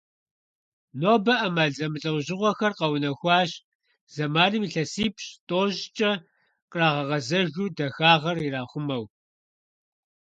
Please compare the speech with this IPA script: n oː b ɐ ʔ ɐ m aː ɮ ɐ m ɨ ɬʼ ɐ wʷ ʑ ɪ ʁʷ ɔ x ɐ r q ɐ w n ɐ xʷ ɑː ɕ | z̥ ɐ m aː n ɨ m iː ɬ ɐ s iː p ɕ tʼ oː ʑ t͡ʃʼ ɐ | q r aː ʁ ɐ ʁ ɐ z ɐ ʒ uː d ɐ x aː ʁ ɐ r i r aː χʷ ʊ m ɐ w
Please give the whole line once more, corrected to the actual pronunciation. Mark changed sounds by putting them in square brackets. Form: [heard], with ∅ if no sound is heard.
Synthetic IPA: n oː b ɐ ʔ ɐ m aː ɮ ɐ m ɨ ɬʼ ɐ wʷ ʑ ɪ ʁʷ ɔ x ɐ r q ɐ w n ɐ xʷ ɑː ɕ | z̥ ɐ m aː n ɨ m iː ɬ ɐ s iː p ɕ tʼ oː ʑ t͡ʃʼ ɐ | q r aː ʁ ɐ ʁ ɐ z ɐ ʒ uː d ɐ x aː ʁ ɐ r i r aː χʷ ʊ m ɐ w